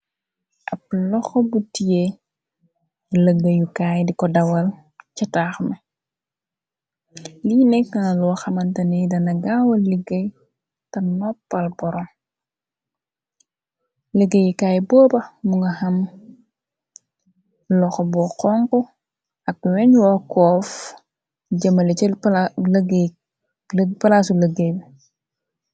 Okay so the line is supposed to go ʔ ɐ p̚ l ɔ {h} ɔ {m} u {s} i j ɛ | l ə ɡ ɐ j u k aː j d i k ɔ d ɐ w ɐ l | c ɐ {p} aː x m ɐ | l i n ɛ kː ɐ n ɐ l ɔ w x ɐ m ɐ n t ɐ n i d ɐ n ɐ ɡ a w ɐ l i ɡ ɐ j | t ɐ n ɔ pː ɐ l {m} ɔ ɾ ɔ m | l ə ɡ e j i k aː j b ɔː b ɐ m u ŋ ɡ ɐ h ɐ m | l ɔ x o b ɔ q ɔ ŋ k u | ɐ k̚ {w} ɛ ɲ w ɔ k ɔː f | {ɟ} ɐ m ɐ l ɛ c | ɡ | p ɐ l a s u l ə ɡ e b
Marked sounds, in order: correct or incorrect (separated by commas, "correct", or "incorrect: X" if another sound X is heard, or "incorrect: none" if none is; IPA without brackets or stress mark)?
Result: incorrect: x, incorrect: b, incorrect: t, incorrect: t, incorrect: b, correct, correct